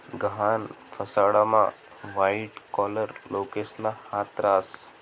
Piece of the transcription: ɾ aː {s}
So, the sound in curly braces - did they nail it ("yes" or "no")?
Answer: yes